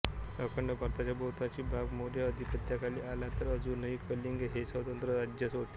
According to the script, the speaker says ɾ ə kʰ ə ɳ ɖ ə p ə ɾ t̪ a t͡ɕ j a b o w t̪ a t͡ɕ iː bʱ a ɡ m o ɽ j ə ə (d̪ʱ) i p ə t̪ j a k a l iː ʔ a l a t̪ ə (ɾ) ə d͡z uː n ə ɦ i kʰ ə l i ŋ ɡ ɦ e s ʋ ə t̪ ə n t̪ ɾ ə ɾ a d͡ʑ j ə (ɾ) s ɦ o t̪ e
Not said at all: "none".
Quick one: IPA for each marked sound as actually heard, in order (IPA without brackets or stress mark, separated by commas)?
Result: d̪ʱ, ɾ, none